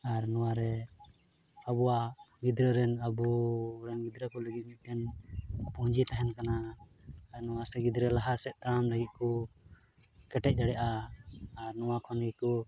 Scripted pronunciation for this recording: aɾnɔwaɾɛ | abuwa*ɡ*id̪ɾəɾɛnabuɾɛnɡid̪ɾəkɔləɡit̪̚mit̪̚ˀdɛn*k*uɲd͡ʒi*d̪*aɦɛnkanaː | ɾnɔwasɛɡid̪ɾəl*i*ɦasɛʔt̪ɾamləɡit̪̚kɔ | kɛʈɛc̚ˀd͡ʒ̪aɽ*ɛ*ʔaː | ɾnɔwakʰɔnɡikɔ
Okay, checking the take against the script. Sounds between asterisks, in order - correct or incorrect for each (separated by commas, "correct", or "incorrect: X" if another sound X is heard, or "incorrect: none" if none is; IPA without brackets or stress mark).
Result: correct, incorrect: p, incorrect: t̪, incorrect: a, correct